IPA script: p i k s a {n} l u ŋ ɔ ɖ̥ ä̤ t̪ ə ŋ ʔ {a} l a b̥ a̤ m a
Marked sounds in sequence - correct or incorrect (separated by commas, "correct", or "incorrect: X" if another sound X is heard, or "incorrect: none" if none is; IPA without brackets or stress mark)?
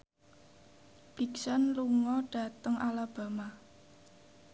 correct, correct